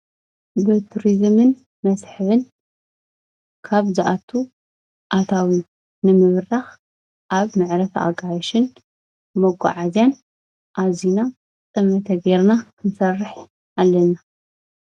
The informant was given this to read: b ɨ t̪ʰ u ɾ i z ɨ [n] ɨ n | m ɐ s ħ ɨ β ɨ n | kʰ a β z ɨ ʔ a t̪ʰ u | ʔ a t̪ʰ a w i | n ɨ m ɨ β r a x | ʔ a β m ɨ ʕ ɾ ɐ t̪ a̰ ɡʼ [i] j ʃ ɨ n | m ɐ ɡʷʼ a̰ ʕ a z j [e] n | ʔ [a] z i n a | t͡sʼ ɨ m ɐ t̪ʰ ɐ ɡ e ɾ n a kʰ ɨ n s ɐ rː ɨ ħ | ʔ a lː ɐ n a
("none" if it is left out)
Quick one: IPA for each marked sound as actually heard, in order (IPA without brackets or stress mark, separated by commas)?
m, a, a, a